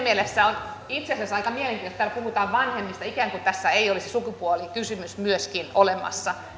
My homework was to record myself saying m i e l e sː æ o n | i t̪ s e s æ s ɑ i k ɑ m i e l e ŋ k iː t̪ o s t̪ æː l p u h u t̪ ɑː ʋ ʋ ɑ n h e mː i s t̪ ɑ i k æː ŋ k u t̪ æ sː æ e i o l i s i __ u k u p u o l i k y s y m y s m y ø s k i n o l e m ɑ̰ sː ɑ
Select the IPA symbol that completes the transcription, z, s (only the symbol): s